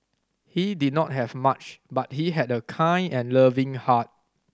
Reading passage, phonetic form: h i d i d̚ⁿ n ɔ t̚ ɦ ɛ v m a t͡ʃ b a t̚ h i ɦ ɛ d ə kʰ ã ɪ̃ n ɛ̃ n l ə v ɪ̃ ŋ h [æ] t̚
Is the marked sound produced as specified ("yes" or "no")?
no